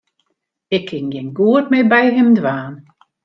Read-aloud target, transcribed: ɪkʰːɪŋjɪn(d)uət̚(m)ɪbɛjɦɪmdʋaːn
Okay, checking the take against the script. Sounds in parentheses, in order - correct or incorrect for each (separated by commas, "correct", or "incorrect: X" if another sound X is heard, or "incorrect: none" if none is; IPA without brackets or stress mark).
incorrect: ɡ, correct